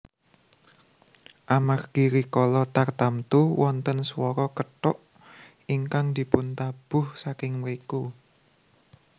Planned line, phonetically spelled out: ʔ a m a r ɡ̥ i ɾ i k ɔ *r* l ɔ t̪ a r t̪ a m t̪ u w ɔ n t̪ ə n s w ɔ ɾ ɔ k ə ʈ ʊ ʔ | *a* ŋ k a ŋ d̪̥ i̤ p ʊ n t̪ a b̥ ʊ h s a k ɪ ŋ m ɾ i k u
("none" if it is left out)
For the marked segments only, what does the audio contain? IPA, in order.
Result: none, i

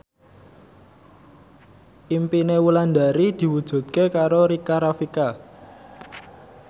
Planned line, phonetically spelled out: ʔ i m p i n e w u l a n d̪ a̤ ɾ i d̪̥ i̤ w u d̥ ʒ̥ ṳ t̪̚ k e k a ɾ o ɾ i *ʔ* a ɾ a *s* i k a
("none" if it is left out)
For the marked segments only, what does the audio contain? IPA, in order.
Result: k, f

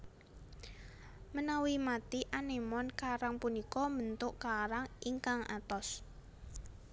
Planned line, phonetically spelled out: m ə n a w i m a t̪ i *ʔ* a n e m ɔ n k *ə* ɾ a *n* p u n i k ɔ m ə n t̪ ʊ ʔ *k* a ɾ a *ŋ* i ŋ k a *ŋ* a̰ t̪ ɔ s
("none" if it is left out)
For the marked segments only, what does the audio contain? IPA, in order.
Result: ʔ, a, ŋ, k, ŋ, ŋ

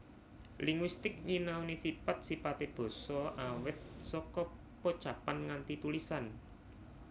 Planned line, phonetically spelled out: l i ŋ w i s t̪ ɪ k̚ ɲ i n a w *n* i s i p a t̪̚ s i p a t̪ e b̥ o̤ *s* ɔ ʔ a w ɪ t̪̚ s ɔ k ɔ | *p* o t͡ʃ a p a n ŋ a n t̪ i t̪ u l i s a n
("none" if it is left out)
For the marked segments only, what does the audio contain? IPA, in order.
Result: n, s, p

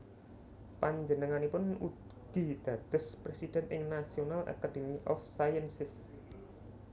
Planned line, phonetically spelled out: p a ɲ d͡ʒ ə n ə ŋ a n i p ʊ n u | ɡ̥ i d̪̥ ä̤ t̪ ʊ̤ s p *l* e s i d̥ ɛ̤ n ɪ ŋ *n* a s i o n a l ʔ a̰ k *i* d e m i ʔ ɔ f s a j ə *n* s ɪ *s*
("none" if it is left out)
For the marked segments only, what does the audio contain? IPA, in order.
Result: ɾ, n, a, n, s

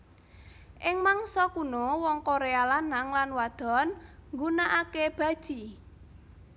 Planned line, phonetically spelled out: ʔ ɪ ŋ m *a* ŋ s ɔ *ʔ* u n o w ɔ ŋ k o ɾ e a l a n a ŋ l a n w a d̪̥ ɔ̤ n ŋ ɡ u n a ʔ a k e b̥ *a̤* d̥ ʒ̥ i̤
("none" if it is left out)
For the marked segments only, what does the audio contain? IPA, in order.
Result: a, k, a̤

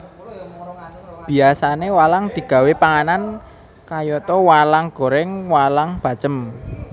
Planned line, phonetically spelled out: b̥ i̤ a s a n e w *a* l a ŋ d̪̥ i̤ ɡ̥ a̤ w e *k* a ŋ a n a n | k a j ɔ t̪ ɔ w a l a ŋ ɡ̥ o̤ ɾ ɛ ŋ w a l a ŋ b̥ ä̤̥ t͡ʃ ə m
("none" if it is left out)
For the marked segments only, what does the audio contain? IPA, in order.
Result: a, p

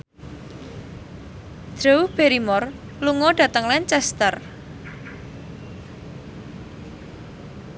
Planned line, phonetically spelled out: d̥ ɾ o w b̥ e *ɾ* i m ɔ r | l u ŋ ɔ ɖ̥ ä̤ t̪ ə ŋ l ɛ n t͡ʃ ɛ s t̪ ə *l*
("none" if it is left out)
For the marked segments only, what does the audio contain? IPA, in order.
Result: ɾ, r

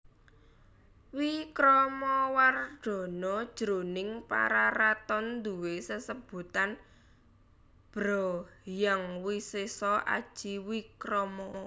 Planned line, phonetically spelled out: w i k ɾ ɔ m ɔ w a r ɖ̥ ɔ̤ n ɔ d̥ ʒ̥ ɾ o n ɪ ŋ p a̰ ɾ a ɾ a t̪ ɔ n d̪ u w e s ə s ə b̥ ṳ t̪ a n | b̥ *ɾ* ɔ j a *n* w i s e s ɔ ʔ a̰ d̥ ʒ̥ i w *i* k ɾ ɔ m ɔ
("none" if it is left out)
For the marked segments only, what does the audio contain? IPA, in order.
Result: ɾ, ŋ, i

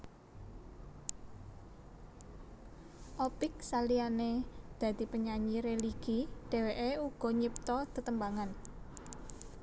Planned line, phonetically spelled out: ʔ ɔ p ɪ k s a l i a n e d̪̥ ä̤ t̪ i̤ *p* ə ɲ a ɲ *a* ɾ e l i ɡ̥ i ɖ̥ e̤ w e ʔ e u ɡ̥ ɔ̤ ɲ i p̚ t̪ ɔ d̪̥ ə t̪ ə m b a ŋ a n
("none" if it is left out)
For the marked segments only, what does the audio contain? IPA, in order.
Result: p, i

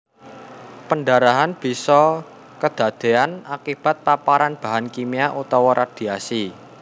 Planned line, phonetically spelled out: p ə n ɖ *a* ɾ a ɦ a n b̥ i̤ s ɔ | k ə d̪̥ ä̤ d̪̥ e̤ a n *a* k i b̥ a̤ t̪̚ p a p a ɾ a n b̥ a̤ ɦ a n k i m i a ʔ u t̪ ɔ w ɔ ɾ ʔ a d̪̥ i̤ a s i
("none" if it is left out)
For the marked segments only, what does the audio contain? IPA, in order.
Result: a, a

